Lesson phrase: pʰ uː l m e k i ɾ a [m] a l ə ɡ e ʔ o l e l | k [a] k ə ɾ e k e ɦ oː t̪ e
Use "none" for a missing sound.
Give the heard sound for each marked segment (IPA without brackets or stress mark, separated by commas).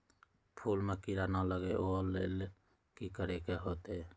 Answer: n, i